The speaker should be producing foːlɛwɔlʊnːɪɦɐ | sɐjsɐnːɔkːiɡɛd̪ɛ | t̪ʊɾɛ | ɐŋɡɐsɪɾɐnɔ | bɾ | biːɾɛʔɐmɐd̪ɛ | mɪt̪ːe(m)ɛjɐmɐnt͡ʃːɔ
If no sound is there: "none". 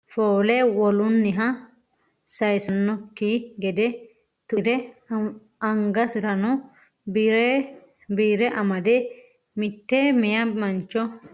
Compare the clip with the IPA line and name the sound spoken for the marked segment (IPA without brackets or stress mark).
m